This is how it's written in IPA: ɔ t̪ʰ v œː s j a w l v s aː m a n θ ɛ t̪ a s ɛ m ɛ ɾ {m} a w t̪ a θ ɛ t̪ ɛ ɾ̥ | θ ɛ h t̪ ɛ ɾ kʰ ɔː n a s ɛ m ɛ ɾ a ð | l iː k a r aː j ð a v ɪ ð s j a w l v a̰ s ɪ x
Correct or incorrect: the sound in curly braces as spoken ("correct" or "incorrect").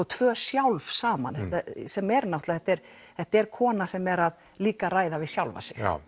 incorrect